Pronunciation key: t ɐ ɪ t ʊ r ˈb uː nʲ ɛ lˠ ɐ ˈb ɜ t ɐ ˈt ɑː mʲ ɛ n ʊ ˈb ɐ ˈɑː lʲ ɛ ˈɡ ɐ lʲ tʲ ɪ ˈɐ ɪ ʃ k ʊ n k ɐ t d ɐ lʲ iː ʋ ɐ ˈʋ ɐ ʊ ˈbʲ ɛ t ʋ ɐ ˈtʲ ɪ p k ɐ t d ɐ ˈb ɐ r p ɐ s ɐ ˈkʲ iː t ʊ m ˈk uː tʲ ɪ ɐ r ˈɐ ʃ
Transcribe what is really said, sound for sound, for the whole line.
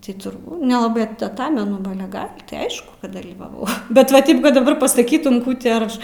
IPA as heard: t ɐ ɪ t ʊ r ˈb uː nʲ ɛ lˠ ɐ ˈb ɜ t ɐ ˈt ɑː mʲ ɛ n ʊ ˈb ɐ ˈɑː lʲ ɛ ˈɡ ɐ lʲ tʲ ɪ ˈɐ ɪ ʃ k ʊ k ɐ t d ɐ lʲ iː ʋ ɐ ˈʋ ɐ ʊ ˈbʲ ɛ t ʋ ɐ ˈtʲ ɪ p k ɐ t d ɐ ˈb ɐ r p ɐ s ɐ ˈkʲ iː t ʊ m ˈk uː tʲ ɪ ɐ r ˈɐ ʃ